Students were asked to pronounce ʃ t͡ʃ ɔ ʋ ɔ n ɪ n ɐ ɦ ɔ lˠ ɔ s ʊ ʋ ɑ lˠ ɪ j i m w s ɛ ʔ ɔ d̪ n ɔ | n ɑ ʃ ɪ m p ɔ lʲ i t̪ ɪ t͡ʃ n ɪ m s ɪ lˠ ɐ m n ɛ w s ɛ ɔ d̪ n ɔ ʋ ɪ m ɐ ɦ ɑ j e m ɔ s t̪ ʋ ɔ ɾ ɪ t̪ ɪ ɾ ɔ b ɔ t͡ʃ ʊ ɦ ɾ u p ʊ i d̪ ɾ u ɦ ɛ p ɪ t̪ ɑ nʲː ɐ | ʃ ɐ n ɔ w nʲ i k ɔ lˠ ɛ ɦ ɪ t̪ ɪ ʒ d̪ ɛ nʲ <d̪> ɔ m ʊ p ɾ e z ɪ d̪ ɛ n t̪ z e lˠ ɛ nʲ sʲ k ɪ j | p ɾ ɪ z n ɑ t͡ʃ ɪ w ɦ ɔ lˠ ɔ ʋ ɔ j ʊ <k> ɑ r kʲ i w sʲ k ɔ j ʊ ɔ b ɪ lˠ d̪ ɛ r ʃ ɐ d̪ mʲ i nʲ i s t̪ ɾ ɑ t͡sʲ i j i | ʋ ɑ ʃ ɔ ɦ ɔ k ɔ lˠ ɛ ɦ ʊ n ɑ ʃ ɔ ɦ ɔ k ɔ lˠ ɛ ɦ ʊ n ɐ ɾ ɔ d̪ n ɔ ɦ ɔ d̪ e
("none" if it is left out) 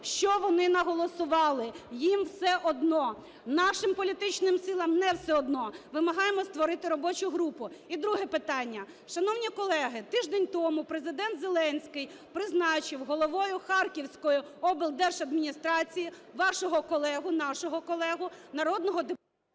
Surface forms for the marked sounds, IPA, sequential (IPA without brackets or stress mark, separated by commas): t̪, x